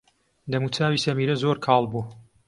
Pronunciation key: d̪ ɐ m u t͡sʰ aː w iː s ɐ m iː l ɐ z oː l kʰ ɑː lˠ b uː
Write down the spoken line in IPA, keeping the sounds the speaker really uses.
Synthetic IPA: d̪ ɐ m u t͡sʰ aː w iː s ɐ m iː ɾ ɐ z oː ɾ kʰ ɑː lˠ b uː